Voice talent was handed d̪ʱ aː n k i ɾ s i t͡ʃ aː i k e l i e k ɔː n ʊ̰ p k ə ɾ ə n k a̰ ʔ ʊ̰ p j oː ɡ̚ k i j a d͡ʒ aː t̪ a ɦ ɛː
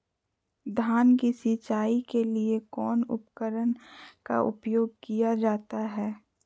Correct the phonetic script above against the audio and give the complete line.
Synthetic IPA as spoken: d̪ʱ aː n k i s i t͡ʃ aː i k e l i e k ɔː n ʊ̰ p k ə ɾ ə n k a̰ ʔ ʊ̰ p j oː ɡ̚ k i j a d͡ʒ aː t̪ a ɦ ɛː